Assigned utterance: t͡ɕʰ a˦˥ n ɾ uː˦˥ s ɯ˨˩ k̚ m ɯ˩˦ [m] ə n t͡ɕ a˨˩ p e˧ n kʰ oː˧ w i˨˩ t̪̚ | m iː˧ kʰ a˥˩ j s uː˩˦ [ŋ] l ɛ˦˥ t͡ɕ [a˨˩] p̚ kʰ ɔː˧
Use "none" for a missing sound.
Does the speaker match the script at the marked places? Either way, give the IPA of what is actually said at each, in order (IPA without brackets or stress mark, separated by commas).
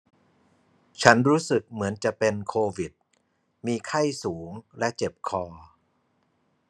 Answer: none, ŋ, e˨˩